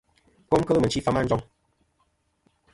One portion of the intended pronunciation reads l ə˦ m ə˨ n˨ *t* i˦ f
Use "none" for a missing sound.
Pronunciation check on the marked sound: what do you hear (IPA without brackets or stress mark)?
t͡ʃ